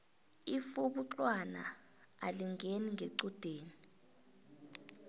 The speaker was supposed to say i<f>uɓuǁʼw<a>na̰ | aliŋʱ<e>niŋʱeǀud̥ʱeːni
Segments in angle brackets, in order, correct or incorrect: correct, correct, correct

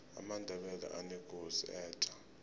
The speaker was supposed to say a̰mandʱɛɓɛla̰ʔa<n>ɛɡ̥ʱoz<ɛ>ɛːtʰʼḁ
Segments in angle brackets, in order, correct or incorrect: correct, incorrect

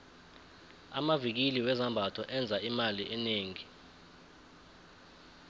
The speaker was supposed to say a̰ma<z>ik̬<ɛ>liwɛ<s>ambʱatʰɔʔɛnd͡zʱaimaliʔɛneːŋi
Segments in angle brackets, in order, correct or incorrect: incorrect, incorrect, incorrect

